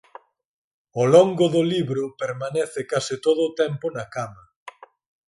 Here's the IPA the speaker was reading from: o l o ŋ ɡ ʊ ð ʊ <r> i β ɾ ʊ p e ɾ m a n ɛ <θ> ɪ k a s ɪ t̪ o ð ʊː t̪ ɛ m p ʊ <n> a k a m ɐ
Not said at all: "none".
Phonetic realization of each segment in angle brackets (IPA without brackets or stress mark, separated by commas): l, θ, n